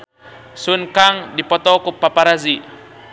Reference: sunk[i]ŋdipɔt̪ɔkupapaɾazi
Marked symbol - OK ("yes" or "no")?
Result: no